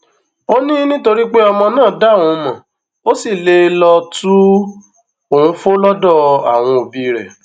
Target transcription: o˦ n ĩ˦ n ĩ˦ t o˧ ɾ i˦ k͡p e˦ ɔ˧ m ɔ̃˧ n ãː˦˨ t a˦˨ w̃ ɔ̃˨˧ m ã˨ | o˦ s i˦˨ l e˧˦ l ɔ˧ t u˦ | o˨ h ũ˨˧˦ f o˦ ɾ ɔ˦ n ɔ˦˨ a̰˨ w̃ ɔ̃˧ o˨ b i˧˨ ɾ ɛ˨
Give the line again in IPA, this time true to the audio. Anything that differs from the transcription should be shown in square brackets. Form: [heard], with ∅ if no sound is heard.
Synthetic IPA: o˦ n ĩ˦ n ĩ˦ t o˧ ɾ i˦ k͡p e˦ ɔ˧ m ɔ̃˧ n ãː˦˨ [d] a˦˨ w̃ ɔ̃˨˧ m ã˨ | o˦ s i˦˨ l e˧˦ l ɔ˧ t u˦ | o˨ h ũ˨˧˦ f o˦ [l] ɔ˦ [d] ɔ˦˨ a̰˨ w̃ ɔ̃˧ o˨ b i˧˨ ɾ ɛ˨